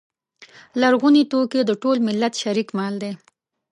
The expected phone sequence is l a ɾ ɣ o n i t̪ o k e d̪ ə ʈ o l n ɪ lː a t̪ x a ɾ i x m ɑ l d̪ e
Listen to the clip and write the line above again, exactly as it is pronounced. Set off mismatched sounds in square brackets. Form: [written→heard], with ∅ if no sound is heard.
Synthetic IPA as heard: l a ɾ ɣ [o→u] n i t̪ o k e d̪ ə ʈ o l [n→m] ɪ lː a t̪ [x→ʃ] a ɾ i [x→k] m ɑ l d̪ e